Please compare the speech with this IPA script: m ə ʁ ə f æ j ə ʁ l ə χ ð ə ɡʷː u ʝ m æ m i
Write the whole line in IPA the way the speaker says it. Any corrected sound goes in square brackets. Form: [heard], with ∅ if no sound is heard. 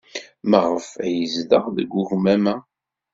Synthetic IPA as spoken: m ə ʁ ə f æ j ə [z] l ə [ʁ] ð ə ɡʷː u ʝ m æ m [æ]